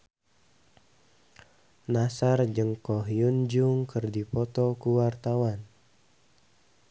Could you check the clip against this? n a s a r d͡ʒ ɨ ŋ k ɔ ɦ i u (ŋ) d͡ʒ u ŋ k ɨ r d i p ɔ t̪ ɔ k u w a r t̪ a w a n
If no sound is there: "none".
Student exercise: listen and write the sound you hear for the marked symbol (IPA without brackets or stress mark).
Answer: n